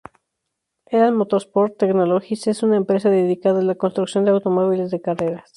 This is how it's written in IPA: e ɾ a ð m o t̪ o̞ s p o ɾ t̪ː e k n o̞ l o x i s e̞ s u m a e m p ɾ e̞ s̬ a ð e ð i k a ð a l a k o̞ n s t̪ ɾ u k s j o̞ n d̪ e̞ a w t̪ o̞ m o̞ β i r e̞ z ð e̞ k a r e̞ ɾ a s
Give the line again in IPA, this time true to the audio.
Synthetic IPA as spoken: e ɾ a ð m o t̪ o̞ s p o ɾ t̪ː e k n o̞ l o x i s e̞ s u n a e m p ɾ e̞ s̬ a ð e ð i k a ð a l a k o̞ n s t̪ ɾ u k s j o̞ n d̪ e̞ a w t̪ o̞ m o̞ β i l e̞ z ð e̞ k a r e̞ ɾ a s